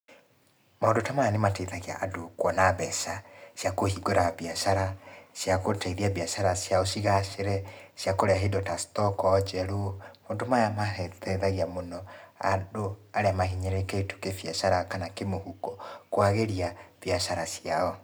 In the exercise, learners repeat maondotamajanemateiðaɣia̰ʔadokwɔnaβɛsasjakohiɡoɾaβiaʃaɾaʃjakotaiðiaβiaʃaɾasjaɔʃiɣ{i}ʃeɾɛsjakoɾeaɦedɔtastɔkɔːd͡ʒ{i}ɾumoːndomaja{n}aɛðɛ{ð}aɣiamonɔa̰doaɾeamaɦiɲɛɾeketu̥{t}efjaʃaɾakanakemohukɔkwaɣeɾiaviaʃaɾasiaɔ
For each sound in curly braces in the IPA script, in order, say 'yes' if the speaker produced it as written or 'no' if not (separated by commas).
no, no, no, yes, no